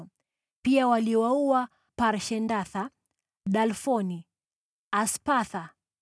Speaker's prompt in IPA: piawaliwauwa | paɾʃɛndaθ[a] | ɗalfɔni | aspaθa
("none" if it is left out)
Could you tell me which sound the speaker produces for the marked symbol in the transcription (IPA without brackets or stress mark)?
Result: a